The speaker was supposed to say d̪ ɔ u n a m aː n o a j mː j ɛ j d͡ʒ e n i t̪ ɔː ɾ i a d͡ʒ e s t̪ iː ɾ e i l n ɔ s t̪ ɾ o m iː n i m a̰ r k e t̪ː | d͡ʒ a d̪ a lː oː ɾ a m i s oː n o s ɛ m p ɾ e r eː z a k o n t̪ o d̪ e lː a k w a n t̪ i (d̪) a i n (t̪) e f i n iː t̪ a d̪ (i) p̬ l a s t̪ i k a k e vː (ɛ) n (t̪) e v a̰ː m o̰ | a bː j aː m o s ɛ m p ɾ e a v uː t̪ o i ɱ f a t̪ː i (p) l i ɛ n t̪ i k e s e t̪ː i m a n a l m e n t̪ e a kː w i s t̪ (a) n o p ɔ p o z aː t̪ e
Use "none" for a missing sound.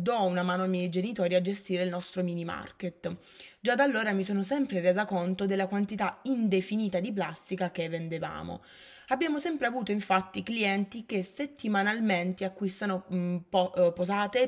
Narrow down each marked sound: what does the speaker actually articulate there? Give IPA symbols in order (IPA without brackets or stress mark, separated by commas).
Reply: t̪, d̪, i, e, d̪, k, a